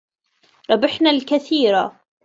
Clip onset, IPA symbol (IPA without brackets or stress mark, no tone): ɾˤ